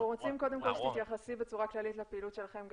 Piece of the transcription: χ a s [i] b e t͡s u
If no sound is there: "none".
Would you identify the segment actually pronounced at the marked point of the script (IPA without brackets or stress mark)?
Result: i